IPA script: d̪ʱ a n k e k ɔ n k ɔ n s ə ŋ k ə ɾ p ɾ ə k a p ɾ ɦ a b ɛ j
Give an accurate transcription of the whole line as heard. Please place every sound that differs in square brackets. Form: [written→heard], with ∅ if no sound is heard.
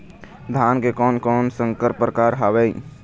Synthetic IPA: d̪ʱ a n k e k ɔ n k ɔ n s ə ŋ k ə ɾ p ɾ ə k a [p→∅] ɾ ɦ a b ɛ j

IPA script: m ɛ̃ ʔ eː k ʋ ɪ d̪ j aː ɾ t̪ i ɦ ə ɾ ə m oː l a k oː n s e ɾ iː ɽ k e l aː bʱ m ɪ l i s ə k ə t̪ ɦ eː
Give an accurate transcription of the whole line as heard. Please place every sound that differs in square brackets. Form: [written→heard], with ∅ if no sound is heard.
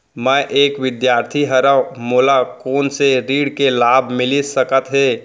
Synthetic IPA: m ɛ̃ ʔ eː k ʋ ɪ d̪ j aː ɾ [t̪→t̪ʰ] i ɦ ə ɾ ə m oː l a k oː n s e ɾ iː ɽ k e l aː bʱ m ɪ l i s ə k ə t̪ ɦ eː

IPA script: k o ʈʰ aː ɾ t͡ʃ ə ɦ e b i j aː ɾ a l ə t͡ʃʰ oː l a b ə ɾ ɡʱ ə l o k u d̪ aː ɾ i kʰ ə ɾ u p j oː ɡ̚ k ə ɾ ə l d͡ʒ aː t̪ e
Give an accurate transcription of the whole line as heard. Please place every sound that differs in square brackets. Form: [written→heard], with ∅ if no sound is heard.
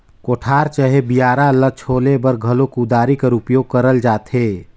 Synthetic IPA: k o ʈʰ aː ɾ t͡ʃ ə ɦ e b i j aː ɾ a l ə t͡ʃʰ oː l [a→e] b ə ɾ ɡʱ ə l o k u d̪ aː ɾ i [kʰ→k] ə ɾ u p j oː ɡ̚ k ə ɾ ə l d͡ʒ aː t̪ e

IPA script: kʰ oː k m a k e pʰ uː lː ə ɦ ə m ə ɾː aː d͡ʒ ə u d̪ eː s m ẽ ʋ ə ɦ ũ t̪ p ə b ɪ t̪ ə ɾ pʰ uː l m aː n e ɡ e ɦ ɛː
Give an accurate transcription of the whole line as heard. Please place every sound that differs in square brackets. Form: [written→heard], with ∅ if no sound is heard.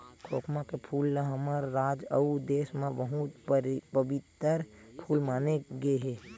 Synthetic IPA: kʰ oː k m a k e pʰ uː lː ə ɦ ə m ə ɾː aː d͡ʒ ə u d̪ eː s m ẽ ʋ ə ɦ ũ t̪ p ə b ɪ t̪ ə ɾ pʰ uː l m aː n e ɡ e ɦ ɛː

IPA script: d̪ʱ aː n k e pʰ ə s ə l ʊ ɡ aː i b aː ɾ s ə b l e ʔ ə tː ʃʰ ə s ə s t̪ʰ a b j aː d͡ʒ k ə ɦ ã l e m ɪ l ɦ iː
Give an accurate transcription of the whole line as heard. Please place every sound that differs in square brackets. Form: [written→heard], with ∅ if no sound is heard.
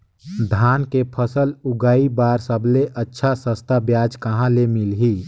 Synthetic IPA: d̪ʱ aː n k e pʰ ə s ə l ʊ ɡ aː i b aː ɾ s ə b l e ʔ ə tː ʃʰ [ə→a] s ə s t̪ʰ a b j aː d͡ʒ k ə ɦ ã l e m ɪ l ɦ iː

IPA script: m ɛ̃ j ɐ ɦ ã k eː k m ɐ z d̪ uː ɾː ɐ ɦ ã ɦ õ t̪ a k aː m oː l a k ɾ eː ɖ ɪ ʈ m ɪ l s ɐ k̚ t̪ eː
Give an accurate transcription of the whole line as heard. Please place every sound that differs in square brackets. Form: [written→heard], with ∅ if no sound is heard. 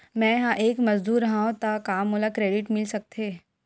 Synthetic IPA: m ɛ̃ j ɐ ɦ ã [k→ʔ] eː k m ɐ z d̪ uː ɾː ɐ ɦ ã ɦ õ t̪ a k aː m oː l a k ɾ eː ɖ ɪ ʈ m ɪ l s ɐ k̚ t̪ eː

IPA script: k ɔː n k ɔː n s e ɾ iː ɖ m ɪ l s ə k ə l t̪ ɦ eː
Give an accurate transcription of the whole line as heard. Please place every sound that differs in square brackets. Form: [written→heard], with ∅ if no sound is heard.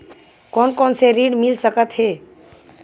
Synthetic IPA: k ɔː n k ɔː n s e ɾ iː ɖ m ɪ l s ə k ə [l→∅] t̪ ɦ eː

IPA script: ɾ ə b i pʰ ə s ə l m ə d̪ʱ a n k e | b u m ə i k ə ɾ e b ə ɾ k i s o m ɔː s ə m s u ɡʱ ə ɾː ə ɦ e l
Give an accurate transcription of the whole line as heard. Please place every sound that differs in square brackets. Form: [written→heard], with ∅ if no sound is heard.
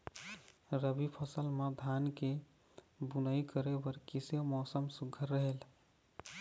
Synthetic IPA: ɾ ə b i pʰ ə s ə l m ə d̪ʱ a n k e | b u [m→n] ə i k ə ɾ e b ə ɾ k i s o m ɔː s ə m s u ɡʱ ə ɾː ə ɦ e l

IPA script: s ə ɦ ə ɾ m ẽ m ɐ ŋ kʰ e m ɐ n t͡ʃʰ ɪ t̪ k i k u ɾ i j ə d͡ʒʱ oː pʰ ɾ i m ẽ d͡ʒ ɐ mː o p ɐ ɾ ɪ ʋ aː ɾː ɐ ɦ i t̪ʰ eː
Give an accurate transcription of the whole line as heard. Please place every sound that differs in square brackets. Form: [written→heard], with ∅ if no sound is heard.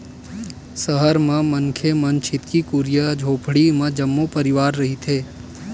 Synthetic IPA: s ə ɦ ə ɾ m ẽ m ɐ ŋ kʰ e m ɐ n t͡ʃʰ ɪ t̪ k i k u ɾ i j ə d͡ʒʱ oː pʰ [ɾ→ɽ] i m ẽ d͡ʒ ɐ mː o p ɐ ɾ ɪ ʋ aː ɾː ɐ ɦ i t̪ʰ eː

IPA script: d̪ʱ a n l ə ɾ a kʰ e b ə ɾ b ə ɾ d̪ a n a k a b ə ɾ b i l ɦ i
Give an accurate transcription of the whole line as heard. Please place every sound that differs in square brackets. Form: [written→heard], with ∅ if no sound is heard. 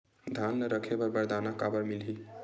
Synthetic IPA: d̪ʱ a n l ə ɾ [a→ə] kʰ e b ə ɾ b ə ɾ d̪ a n a k a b ə ɾ [b→m] i l ɦ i

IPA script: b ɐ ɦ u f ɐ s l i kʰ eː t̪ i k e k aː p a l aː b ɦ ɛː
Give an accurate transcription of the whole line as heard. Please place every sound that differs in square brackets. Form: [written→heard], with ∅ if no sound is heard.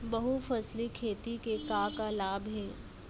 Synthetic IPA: b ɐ ɦ u f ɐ s l i kʰ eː t̪ i k e k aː [p→k] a l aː b ɦ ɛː

